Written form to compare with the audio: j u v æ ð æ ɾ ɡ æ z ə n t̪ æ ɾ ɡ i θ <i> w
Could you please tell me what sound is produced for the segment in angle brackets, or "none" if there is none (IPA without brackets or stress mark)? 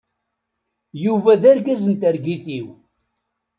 i